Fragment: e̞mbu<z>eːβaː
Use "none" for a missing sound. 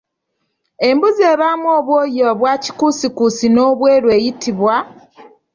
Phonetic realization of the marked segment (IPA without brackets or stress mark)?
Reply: z